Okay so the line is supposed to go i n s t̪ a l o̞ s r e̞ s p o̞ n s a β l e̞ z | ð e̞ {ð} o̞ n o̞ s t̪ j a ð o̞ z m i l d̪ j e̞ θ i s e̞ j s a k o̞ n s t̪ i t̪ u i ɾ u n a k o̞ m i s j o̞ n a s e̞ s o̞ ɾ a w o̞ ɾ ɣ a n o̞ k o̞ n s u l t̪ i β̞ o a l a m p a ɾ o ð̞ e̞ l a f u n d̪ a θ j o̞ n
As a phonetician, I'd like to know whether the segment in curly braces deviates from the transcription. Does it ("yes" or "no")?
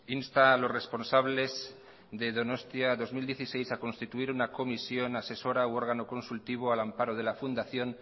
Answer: no